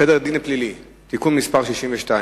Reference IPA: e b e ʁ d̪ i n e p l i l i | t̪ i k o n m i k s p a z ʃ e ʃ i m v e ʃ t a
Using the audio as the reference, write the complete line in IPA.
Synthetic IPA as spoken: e d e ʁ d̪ i n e p l i l i | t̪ i k u n m i s p a ʁ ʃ i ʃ i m v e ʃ t a